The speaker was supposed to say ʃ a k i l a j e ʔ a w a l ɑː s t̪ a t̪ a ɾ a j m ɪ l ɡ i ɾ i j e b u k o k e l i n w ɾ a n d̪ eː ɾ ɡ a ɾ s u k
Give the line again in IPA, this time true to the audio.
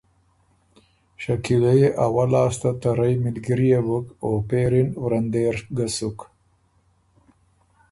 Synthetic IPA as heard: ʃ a k i l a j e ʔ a w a l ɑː s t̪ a t̪ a ɾ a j m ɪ l ɡ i ɾ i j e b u k o p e ɾ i n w ɾ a n d̪ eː ɾ ɡ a s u k